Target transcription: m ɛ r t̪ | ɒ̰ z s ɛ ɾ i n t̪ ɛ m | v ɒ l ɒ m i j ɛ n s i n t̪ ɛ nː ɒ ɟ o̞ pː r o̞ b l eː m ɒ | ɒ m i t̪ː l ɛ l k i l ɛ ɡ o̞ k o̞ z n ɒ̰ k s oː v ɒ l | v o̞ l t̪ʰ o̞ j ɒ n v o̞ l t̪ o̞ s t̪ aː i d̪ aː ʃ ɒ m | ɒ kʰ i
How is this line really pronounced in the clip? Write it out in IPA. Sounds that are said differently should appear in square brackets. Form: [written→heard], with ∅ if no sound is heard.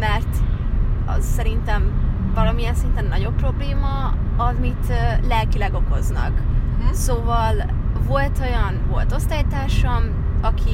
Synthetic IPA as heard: m ɛ r t̪ | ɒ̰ z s ɛ ɾ i n t̪ ɛ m | v ɒ l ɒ m i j ɛ n s i n t̪ ɛ nː ɒ ɟ o̞ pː r o̞ b l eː m ɒ | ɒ m i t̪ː l ɛ l k i l ɛ ɡ o̞ k o̞ z n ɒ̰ k s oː v ɒ l | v o̞ l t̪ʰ o̞ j ɒ n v o̞ l t̪ o̞ s t̪ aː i [d̪→t̪] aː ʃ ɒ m | ɒ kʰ i